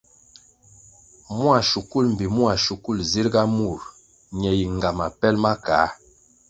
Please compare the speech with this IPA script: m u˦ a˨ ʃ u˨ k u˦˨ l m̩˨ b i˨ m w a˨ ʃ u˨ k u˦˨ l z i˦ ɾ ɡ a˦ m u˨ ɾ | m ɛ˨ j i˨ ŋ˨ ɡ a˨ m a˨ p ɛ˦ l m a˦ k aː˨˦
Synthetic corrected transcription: m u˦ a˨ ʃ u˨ k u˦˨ l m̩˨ b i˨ m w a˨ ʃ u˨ k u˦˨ l z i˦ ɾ ɡ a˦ m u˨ ɾ | ɲ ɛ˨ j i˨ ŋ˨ ɡ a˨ m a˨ p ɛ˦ l m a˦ k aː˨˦